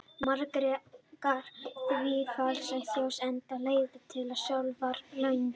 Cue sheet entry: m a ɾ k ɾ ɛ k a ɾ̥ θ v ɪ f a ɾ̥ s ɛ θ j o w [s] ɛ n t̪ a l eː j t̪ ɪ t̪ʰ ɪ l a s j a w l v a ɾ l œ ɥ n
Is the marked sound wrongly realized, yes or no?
no